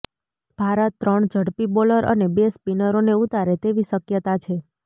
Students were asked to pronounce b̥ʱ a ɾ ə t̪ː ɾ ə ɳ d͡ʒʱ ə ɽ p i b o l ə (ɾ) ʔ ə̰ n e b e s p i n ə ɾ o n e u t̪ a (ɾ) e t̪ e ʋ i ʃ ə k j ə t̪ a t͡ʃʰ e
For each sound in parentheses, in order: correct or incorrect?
correct, correct

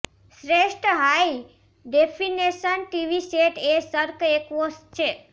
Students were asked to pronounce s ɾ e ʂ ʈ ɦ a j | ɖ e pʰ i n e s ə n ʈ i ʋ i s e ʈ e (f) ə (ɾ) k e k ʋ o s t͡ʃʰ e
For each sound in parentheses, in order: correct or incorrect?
incorrect, correct

